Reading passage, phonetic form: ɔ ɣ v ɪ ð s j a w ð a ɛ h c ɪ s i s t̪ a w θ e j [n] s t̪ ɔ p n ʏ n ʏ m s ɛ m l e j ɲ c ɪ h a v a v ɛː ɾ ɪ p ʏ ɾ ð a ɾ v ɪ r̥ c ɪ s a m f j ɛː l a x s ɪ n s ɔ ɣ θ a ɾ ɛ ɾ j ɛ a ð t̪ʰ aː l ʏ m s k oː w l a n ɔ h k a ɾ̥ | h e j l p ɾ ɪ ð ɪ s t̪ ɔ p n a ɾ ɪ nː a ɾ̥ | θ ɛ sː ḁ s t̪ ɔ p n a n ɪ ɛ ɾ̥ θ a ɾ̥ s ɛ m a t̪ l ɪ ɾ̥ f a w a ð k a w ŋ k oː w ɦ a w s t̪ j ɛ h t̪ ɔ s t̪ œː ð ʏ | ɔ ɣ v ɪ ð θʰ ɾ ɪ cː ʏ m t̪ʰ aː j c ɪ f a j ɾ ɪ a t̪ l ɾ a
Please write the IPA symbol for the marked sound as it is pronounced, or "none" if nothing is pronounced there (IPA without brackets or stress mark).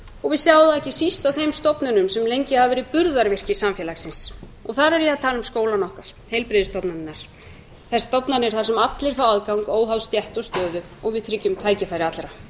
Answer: m